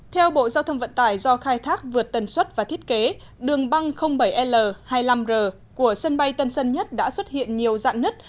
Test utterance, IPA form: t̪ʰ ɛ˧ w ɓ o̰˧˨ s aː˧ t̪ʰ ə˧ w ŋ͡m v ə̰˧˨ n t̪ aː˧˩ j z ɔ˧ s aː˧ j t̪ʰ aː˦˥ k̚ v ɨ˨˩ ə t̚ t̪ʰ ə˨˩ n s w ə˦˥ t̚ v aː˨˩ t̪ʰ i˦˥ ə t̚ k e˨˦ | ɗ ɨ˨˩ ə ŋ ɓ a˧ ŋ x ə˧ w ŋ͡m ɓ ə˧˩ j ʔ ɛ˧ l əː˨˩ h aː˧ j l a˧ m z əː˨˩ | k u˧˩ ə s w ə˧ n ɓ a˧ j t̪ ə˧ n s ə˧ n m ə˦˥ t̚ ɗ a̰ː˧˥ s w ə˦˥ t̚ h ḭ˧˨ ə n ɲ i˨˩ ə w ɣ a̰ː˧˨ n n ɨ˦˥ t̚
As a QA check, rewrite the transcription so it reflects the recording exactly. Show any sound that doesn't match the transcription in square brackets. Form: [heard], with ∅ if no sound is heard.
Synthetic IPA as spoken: t̪ʰ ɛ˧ w ɓ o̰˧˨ [z] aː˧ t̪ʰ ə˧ w ŋ͡m v ə̰˧˨ n t̪ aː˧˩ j z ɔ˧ [x] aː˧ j t̪ʰ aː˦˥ k̚ v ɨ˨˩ ə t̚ [t̪] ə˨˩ n s w ə˦˥ t̚ v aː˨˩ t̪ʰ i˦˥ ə t̚ k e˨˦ | ɗ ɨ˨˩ ə ŋ ɓ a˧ ŋ x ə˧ w ŋ͡m ɓ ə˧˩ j ʔ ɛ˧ l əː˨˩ h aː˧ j l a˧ m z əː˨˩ | k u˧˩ ə s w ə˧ n ɓ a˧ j t̪ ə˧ n s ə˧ n [ɲ] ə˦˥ t̚ ɗ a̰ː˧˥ s w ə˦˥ t̚ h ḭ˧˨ ə n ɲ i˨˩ ə w [z] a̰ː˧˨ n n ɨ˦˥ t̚